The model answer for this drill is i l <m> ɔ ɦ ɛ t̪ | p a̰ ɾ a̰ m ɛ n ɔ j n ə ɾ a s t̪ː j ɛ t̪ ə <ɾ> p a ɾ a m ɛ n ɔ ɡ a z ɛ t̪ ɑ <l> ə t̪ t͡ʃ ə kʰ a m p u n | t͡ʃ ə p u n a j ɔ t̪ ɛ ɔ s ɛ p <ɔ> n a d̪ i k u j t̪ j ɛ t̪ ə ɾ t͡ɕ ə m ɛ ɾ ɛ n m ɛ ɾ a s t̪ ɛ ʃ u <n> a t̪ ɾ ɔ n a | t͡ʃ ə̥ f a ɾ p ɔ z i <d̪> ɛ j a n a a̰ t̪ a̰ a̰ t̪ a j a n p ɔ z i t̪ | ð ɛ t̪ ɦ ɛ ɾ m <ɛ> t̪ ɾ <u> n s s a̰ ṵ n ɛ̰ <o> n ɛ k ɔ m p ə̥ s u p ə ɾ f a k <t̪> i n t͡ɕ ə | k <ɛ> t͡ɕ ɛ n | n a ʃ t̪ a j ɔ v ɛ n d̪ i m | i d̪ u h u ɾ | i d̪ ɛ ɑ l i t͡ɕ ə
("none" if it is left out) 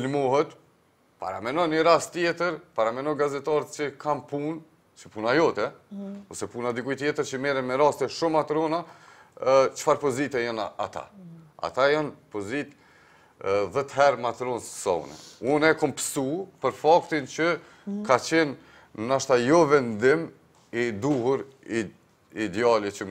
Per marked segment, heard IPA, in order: m, ɾ, ɾ, u, m, t̪, a, ɔ, u, t̪, a

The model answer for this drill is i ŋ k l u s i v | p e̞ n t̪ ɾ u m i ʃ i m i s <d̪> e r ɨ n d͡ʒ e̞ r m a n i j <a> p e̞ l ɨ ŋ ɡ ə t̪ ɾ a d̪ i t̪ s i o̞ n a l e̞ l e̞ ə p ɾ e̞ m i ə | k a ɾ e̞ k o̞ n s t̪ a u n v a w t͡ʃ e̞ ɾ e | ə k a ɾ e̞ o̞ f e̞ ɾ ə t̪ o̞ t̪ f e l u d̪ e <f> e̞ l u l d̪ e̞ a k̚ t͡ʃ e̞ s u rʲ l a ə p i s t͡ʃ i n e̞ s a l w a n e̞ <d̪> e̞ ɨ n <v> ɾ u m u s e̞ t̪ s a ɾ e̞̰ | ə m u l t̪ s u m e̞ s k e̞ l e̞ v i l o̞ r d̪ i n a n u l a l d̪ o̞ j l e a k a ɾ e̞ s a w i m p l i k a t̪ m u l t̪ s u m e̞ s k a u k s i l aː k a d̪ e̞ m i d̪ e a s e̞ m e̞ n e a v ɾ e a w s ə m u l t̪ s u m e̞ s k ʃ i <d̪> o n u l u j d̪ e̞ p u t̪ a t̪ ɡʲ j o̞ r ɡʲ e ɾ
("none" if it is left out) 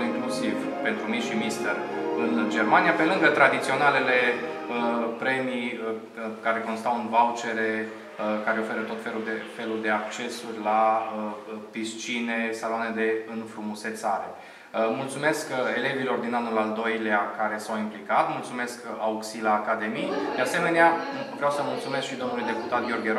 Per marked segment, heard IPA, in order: t̪, a, f, d̪, f, d̪

